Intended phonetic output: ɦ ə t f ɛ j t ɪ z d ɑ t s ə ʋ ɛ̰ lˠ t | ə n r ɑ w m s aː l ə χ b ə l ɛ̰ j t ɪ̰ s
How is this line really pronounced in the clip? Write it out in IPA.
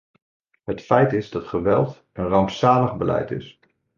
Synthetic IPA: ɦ ə t f ɛ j t ɪ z d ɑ t χ ə ʋ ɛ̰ lˠ t | ə n r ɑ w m s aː l ə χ b ə l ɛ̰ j t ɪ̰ s